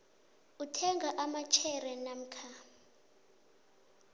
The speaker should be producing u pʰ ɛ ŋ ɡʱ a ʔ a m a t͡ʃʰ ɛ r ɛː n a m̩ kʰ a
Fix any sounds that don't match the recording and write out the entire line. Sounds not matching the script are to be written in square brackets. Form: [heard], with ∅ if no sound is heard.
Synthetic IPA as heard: u [tʰ] ɛ ŋ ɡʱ a ʔ a m a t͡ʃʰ ɛ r [ɛ] n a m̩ kʰ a